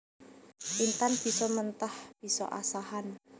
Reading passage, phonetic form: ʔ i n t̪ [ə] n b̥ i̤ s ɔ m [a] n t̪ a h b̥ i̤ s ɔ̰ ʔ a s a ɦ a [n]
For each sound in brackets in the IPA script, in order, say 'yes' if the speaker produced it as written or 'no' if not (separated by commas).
no, no, yes